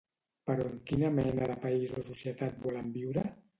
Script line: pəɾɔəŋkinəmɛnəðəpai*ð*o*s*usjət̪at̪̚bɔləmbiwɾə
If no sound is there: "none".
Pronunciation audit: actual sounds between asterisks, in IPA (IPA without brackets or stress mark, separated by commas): z, s